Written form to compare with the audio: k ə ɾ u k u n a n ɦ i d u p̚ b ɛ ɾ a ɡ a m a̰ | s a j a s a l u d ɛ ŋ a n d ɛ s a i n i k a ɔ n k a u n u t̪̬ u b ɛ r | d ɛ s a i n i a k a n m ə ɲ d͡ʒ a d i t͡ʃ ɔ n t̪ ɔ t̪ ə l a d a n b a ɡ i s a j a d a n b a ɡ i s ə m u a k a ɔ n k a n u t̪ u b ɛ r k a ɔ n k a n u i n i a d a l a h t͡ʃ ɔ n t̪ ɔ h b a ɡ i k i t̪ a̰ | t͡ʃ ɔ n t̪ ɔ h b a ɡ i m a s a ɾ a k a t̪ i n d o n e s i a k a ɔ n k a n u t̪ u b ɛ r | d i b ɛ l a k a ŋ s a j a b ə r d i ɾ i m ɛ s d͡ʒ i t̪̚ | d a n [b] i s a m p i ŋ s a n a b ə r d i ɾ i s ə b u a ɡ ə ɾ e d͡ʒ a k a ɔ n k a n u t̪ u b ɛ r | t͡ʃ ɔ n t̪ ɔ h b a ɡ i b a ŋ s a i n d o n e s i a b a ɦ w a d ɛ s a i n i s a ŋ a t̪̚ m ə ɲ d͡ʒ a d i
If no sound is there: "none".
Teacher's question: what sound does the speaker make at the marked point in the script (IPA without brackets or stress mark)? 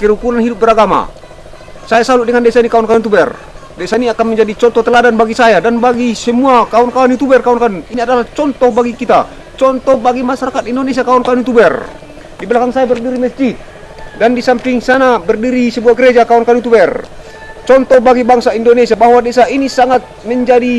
d